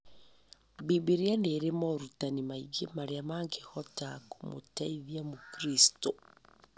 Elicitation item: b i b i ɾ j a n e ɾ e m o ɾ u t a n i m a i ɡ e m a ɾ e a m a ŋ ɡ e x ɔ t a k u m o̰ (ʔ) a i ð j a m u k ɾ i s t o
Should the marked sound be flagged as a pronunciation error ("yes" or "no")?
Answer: yes